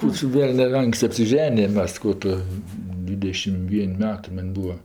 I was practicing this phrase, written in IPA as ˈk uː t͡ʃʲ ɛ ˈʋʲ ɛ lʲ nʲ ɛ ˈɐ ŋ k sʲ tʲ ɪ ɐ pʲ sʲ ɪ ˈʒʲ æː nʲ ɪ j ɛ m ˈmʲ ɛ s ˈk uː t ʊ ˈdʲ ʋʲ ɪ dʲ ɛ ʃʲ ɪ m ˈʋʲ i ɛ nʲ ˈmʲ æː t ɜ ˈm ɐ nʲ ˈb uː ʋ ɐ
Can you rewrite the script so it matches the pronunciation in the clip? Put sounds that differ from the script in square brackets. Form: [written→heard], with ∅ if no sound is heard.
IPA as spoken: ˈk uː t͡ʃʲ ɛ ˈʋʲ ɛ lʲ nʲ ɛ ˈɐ ŋ k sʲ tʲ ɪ ɐ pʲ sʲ ɪ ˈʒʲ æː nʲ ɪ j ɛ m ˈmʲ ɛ s ˈk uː t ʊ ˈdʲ ʋʲ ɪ dʲ ɛ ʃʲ ɪ m ˈʋʲ i ɛ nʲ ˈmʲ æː t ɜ ˈm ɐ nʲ ˈb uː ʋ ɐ